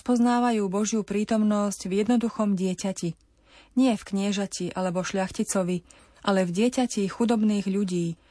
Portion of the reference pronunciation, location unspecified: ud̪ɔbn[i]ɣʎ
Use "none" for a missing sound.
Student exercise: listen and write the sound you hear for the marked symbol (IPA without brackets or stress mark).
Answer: iː